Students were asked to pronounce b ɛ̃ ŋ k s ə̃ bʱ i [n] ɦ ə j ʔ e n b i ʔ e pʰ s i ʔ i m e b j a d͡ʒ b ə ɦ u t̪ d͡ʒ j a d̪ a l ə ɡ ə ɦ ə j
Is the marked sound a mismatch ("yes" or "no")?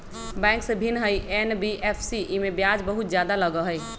no